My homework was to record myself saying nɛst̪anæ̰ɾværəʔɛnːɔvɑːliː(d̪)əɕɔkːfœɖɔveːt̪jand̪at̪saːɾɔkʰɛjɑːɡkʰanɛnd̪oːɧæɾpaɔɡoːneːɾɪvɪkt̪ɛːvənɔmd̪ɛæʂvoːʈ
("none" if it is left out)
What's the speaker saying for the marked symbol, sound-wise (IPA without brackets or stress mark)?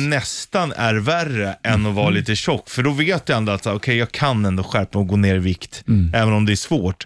t̪